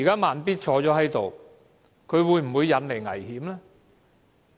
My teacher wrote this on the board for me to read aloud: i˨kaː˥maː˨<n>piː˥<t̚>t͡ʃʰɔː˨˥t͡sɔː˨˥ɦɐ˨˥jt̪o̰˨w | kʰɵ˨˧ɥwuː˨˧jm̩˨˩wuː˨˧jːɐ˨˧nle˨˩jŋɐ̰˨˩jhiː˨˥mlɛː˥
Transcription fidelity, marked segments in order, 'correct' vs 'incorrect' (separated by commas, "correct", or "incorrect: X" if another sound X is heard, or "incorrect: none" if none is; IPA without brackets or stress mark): correct, correct